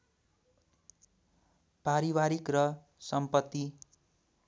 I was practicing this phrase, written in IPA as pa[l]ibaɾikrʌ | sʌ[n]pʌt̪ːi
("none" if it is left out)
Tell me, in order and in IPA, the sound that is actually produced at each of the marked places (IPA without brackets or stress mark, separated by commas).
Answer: ɾ, m